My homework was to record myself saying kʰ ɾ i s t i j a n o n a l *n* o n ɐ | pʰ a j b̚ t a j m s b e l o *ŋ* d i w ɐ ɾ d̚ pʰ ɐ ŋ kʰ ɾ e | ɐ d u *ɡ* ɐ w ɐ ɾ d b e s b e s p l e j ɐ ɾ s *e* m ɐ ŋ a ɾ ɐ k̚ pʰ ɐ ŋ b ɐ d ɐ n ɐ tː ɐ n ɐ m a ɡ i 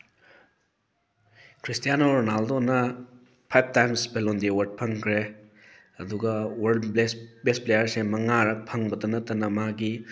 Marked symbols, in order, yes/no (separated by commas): no, no, yes, yes